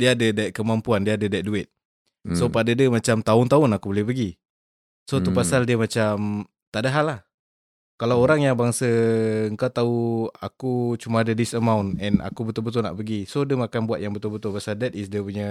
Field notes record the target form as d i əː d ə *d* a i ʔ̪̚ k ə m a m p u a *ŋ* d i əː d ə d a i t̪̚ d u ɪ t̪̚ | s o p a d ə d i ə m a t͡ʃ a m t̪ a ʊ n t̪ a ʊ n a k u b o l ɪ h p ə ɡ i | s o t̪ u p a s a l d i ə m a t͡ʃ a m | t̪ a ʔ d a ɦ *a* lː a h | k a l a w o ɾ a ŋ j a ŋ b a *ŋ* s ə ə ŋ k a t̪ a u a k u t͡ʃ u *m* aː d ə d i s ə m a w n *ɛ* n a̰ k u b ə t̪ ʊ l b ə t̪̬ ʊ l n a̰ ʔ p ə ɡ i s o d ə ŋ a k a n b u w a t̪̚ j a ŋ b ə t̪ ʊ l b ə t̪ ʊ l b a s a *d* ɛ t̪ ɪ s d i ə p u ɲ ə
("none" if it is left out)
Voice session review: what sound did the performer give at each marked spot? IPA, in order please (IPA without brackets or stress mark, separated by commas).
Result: d, n, a, ŋ, m, ɛ, d